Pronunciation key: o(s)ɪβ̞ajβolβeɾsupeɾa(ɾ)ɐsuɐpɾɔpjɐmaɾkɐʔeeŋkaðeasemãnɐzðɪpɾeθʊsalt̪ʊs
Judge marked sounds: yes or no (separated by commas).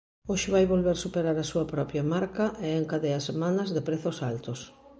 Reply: no, yes